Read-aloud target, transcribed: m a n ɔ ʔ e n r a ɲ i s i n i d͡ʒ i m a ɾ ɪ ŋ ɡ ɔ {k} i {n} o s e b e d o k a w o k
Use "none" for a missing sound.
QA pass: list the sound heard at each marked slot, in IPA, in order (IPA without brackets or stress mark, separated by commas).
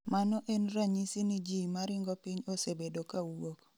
p, ɲ